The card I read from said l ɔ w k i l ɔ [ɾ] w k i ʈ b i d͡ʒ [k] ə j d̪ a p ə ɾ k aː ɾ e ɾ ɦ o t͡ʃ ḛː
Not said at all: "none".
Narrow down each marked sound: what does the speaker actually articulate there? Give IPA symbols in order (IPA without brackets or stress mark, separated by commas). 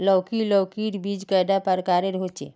none, k